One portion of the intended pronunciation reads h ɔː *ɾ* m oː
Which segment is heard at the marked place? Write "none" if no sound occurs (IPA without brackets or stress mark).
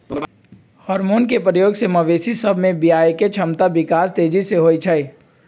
ɾ